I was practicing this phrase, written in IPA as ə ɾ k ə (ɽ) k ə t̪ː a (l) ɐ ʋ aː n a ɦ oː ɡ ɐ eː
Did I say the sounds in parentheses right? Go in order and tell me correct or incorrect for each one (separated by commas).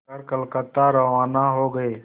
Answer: incorrect, incorrect